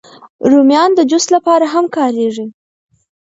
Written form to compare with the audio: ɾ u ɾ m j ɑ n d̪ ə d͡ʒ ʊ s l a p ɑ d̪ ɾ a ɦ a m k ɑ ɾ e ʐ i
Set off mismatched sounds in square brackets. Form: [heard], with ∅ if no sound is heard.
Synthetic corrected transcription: ɾ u [∅] m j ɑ n d̪ ə d͡ʒ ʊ s l a p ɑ [∅] ɾ a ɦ a m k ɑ ɾ e ʐ i